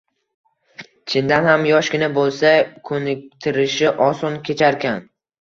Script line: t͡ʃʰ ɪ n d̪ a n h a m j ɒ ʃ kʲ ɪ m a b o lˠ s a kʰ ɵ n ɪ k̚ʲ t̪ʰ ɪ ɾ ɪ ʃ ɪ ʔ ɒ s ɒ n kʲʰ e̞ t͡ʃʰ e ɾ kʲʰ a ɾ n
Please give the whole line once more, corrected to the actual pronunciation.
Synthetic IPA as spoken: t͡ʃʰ ɪ n d̪ a n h a m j ɒ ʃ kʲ ɪ n a b o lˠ s a kʰ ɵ n ɪ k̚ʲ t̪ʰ ɪ ɾ ɪ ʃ ɪ ʔ ɒ s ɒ n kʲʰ e̞ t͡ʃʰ a ɾ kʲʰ a n

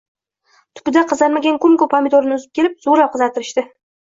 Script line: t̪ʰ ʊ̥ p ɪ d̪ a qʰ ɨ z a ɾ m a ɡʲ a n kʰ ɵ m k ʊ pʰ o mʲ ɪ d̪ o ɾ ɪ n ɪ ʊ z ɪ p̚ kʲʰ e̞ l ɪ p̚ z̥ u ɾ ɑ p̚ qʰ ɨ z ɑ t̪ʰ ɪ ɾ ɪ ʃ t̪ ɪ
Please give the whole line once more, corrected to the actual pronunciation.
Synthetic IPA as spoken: t̪ʰ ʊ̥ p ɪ d̪ a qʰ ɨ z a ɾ m a ɡʲ a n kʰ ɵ m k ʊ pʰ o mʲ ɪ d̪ o ɾ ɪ n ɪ ʊ z ɪ p̚ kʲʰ e̞ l ɪ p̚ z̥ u ɾ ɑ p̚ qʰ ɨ z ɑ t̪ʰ ɪ ɾ ɪ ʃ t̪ ɪ

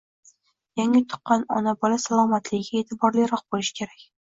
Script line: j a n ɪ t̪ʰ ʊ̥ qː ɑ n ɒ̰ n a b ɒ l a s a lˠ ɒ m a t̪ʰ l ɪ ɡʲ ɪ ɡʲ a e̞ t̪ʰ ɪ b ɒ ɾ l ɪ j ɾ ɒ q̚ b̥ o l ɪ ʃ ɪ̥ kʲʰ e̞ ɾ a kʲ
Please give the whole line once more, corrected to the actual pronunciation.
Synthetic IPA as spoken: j a ŋ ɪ t̪ʰ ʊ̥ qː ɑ n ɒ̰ n a b ɒ l a s a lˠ ɒ m a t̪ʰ l ɪ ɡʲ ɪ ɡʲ a e̞ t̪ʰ ɪ b ɒ ɾ l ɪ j ɾ ɒ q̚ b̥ o l ɪ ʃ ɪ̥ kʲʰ e̞ ɾ a kʲ

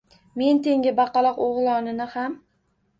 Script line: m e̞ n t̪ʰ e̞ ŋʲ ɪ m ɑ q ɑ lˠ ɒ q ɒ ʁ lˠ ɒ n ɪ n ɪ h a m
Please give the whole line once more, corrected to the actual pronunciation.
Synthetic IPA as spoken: m e̞ n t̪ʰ e̞ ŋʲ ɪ b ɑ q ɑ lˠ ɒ q o ʁ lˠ ɒ n ɪ n ɪ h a m

